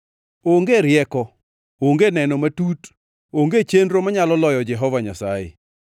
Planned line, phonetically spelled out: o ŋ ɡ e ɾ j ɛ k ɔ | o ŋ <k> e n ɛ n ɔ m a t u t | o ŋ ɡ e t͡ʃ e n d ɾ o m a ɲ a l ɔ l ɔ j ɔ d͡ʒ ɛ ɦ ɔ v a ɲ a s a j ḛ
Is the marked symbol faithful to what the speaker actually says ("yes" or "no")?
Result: no